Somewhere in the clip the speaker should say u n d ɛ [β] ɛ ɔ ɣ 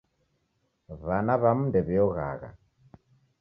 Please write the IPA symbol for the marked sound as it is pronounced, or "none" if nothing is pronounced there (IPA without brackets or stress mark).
β